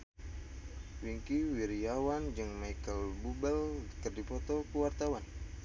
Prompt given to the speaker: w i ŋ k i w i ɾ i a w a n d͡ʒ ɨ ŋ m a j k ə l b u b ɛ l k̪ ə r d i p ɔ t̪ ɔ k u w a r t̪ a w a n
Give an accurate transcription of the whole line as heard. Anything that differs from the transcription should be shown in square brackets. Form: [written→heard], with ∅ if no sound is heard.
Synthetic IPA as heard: w i ŋ k i w i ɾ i a w a n d͡ʒ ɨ ŋ m a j k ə l b u b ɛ l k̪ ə r d i p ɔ t̪ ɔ k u w a r t̪ a w a n